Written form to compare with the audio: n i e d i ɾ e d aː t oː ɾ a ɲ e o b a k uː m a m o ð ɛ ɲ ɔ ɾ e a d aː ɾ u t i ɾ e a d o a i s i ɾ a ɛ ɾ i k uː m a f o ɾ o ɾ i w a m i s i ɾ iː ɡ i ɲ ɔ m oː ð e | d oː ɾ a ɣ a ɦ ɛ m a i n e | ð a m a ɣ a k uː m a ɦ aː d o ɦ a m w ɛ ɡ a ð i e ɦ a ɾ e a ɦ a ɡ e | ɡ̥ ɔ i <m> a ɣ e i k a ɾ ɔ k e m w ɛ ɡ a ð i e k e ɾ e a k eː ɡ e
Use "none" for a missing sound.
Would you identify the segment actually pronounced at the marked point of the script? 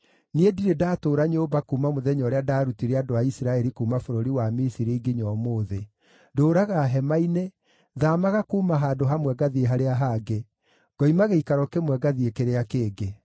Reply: m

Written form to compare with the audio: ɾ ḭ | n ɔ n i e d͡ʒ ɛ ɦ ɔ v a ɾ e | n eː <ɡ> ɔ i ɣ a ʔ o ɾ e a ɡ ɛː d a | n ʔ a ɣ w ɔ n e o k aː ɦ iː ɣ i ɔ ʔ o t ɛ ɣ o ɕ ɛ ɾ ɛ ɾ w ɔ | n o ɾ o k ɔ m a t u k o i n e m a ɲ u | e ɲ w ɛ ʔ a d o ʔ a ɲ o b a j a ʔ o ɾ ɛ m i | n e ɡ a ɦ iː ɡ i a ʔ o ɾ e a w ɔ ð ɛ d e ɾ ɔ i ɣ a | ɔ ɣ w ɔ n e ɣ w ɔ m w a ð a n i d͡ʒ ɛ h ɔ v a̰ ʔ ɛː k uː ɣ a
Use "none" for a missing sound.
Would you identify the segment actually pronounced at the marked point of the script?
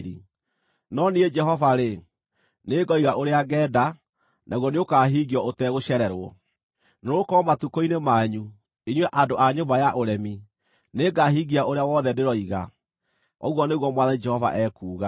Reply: ɡ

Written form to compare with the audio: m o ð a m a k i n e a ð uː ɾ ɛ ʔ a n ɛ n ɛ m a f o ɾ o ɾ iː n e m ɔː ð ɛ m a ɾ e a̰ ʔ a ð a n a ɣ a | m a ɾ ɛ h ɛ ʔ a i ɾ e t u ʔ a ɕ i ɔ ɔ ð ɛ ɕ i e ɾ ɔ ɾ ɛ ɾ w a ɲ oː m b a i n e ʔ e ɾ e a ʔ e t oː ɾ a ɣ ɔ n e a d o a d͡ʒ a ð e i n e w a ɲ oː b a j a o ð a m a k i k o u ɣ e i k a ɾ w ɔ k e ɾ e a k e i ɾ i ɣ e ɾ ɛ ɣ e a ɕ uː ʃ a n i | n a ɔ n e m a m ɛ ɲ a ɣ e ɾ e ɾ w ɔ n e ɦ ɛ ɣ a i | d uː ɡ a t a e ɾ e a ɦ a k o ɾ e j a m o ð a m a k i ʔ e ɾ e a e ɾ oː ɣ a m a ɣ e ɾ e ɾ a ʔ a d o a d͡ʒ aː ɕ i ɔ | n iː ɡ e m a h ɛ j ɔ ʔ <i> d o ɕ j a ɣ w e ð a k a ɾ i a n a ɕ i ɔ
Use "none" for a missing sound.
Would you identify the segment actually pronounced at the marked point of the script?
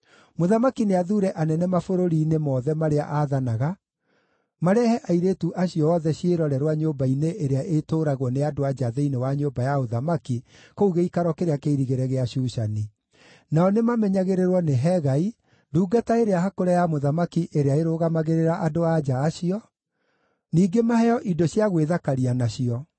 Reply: i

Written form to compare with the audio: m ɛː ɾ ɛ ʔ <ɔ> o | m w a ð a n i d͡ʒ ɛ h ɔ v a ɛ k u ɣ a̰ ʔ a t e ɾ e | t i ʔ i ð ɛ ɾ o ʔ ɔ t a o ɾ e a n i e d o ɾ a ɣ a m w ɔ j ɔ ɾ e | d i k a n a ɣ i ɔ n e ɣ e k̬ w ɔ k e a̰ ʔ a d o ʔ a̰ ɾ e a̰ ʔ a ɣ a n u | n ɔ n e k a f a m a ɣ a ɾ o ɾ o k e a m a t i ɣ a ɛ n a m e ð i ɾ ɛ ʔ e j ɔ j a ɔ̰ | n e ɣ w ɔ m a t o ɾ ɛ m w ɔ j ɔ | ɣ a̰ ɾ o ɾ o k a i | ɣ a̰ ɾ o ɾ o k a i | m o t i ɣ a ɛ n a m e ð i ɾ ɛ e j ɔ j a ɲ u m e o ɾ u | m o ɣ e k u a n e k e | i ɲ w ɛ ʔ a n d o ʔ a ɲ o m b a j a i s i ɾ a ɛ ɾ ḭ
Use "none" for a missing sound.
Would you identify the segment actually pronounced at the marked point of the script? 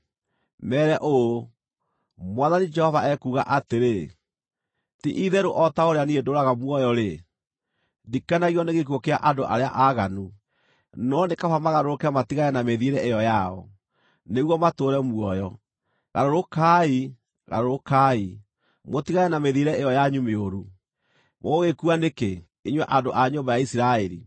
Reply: o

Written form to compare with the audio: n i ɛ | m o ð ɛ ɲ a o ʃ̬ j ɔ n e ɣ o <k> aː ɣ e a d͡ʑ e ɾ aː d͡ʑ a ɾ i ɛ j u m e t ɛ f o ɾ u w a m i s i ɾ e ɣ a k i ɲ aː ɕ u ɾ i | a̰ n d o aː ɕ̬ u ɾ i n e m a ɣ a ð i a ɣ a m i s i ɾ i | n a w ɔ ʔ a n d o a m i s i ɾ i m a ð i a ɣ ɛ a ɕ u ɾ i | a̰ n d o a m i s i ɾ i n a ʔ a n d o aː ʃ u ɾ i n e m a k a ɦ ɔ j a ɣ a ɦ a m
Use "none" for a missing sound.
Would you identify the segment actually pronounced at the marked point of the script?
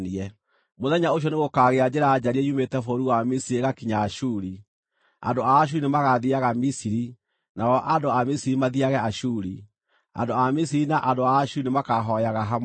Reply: k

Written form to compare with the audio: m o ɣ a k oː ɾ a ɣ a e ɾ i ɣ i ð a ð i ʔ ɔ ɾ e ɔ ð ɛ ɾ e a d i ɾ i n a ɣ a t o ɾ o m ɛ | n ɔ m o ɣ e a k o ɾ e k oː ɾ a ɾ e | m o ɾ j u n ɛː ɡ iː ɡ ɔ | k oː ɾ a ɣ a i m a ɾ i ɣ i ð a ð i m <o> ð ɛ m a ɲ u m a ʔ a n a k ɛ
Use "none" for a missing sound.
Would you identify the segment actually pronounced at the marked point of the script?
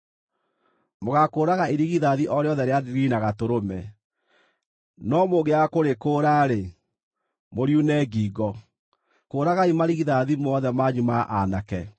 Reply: ɔ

